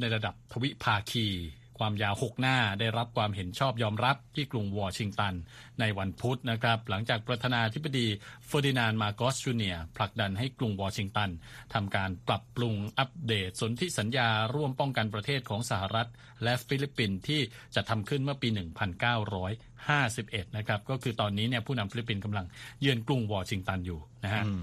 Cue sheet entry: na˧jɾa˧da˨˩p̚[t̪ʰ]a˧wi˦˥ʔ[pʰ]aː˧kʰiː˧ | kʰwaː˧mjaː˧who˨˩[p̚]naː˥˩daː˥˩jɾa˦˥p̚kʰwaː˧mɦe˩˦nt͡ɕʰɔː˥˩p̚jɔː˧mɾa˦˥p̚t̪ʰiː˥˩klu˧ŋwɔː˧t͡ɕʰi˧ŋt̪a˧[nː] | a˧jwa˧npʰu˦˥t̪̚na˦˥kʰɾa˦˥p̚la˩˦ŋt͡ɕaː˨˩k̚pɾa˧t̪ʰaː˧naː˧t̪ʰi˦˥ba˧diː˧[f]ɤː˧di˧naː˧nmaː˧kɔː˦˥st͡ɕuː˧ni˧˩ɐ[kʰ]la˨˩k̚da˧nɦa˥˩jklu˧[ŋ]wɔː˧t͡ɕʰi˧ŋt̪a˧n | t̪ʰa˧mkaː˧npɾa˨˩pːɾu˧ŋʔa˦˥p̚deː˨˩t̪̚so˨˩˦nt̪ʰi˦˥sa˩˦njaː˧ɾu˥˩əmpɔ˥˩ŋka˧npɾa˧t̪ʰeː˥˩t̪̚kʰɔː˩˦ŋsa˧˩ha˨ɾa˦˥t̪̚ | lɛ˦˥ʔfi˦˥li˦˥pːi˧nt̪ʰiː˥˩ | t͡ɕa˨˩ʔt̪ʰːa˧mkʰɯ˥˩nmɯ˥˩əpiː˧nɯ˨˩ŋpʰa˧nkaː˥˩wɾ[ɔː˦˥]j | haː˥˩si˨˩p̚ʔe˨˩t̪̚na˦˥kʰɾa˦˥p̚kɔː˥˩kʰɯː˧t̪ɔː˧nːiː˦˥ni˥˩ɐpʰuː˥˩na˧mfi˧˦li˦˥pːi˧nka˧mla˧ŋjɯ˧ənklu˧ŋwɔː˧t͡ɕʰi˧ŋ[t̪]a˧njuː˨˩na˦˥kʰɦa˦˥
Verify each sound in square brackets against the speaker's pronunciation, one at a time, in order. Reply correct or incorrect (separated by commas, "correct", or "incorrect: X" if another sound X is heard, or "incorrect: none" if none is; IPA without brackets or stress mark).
correct, correct, incorrect: k̚, correct, correct, incorrect: pʰ, correct, correct, correct